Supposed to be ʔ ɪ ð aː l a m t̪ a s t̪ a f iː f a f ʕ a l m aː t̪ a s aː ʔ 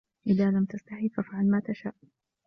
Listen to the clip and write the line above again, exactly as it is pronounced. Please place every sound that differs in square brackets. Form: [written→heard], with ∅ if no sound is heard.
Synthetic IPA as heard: ʔ ɪ ð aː l a m t̪ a s t̪ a [f→ħ] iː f a f ʕ a l m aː t̪ a [s→ʃ] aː ʔ